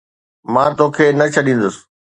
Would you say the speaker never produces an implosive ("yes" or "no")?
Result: no